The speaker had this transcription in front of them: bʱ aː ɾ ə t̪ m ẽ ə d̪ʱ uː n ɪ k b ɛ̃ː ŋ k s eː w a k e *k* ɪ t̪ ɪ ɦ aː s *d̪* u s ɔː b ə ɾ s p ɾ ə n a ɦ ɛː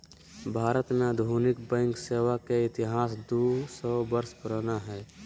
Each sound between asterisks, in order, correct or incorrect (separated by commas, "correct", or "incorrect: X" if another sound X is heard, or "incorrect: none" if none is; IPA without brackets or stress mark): incorrect: none, correct